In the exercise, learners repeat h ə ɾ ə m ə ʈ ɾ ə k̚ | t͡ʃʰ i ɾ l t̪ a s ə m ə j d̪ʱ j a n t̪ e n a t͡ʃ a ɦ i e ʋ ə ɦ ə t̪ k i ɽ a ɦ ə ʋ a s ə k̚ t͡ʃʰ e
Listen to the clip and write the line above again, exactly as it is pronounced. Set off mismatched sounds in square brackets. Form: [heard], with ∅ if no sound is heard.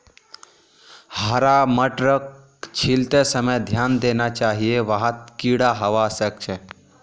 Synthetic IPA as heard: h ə ɾ [a] m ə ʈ ɾ ə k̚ | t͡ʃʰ i [∅] l t̪ [e] s ə m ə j d̪ʱ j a n [d̪] e n a t͡ʃ a ɦ i e ʋ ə ɦ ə t̪ k i ɽ a ɦ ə ʋ a s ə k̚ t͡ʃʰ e